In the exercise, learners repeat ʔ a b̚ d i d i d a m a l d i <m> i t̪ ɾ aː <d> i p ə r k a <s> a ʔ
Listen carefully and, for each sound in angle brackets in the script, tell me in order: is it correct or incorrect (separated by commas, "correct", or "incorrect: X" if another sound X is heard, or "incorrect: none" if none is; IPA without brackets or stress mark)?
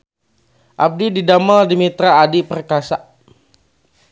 correct, correct, correct